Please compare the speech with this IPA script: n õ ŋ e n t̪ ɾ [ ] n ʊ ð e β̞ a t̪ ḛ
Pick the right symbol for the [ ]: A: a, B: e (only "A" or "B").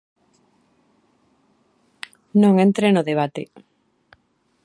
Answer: B